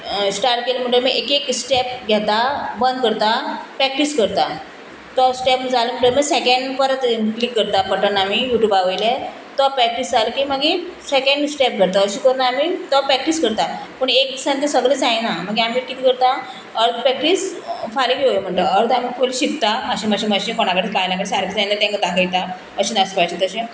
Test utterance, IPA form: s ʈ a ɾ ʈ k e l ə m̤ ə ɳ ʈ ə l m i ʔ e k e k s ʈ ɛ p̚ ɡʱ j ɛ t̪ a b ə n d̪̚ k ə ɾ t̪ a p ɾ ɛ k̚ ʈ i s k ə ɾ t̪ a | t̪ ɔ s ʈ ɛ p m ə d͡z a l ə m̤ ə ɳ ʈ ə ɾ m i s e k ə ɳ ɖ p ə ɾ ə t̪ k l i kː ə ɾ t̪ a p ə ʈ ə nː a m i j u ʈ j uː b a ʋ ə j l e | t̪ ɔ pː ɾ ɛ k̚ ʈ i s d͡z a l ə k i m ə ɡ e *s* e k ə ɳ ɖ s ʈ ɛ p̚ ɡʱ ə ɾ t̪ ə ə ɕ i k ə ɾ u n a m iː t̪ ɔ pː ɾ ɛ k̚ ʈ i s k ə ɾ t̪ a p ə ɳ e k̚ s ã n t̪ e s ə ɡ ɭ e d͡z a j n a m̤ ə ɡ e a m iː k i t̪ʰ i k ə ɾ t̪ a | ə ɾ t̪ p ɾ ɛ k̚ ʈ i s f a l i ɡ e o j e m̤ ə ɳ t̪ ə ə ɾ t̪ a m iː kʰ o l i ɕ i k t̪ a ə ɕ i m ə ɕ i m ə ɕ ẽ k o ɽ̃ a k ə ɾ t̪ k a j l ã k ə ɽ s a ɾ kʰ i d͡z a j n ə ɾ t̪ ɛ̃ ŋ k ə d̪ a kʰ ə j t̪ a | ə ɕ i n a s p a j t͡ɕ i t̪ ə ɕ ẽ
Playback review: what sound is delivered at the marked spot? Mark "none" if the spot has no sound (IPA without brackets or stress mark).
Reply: s